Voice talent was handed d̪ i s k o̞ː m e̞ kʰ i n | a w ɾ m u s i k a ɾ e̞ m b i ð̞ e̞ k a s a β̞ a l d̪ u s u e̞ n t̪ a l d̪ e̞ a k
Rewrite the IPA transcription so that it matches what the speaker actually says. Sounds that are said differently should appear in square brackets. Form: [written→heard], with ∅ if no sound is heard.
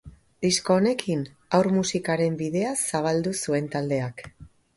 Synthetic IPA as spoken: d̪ i s k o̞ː [m→n] e̞ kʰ i n | a w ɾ m u s i k a ɾ e̞ m b i ð̞ e̞ [k→∅] a s a β̞ a l d̪ u s u e̞ n t̪ a l d̪ e̞ a k